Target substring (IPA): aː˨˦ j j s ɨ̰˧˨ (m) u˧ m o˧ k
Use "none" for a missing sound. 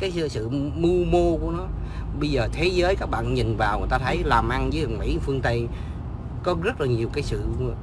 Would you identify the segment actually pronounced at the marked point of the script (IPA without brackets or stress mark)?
m